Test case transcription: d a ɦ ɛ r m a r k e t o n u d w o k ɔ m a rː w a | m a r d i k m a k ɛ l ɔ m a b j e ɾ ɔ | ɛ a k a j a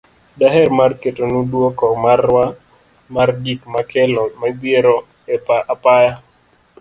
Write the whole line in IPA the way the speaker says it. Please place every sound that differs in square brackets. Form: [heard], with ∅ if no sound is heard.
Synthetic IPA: d a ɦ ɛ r m a r k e t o n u d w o k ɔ m a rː w a | m a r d i k m a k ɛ l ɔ m a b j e ɾ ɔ | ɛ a [p] a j a